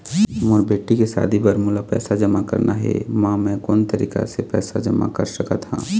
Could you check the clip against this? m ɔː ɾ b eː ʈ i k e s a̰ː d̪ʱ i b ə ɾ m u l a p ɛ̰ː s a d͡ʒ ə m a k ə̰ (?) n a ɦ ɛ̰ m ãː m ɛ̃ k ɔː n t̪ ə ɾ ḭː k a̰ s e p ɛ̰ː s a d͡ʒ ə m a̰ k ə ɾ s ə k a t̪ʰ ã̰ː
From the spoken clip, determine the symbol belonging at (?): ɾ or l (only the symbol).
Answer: ɾ